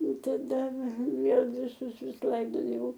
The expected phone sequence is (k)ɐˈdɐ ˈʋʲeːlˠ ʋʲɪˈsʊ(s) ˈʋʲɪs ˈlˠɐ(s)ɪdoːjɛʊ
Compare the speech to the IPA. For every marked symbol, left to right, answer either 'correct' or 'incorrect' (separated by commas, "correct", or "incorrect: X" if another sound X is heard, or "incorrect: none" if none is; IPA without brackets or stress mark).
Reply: incorrect: t, correct, incorrect: none